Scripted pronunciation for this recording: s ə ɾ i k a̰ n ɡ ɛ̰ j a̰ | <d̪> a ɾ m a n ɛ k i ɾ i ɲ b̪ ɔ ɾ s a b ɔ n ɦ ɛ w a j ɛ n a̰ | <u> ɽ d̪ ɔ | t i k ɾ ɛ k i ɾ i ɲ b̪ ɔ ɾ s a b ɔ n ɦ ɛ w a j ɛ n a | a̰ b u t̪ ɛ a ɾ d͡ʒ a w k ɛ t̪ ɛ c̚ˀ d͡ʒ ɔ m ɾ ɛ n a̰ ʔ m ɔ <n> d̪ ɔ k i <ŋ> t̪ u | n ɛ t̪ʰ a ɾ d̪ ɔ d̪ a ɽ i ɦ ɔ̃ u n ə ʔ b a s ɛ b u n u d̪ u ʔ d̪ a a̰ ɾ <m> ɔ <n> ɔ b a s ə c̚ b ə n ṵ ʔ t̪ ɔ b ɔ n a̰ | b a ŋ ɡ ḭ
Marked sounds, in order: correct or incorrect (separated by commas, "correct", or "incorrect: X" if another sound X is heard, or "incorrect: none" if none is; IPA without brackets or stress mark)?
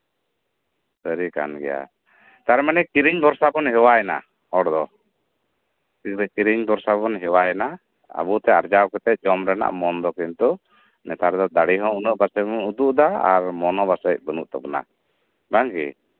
incorrect: t̪, incorrect: ɔ, correct, incorrect: n, correct, correct